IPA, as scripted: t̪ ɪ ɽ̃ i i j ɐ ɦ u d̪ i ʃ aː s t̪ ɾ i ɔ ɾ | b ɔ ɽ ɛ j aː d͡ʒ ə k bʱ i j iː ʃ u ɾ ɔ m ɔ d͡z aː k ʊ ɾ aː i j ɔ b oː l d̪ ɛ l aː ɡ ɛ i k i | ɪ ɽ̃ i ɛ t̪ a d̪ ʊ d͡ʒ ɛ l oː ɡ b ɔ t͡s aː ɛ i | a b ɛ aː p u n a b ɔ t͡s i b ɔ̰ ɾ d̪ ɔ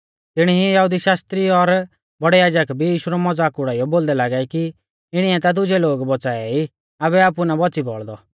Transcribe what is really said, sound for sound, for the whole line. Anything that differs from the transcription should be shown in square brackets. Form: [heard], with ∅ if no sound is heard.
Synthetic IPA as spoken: t̪ ɪ ɽ̃ i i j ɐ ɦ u d̪ i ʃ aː s t̪ ɾ i ɔ ɾ | b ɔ ɽ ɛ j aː d͡ʒ ə k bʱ i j iː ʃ u ɾ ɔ m ɔ d͡z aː k ʊ [ɽ] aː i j ɔ b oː l d̪ ɛ l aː ɡ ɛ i k i | ɪ ɽ̃ i ɛ t̪ a d̪ ʊ d͡ʒ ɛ l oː ɡ b ɔ t͡s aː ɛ i | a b ɛ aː p u n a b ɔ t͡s i b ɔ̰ [ɭ] d̪ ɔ